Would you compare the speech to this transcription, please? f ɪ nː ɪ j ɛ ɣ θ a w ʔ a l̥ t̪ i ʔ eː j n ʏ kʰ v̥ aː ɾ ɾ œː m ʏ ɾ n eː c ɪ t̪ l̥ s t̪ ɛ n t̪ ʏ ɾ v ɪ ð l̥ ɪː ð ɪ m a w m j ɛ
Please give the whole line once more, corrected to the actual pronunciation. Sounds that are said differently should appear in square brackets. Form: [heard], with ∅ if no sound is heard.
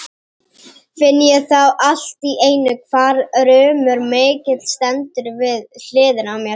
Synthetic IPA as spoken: f ɪ nː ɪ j ɛ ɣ θ a w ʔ a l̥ t̪ i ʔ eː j n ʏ kʰ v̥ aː ɾ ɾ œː m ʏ ɾ [m] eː c ɪ t̪ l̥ s t̪ ɛ n t̪ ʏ ɾ v ɪ ð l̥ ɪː ð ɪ [n] a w m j ɛ